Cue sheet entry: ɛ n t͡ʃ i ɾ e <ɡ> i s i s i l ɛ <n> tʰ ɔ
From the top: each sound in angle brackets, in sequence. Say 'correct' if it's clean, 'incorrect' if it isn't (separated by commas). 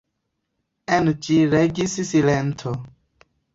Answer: correct, correct